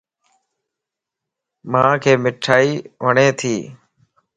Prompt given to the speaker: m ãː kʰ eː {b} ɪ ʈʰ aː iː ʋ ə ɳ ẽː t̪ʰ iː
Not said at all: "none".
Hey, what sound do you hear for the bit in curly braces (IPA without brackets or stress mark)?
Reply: m